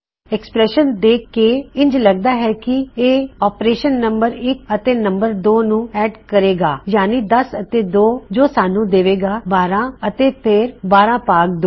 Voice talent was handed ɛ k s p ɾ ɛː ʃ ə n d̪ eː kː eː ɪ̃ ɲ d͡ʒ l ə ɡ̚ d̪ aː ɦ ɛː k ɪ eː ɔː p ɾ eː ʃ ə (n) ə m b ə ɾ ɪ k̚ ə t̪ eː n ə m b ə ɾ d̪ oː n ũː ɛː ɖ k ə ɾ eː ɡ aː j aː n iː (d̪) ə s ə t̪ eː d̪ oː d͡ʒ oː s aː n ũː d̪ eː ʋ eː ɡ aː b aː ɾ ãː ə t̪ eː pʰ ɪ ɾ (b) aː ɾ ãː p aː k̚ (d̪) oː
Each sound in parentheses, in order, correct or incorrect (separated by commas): incorrect, correct, correct, correct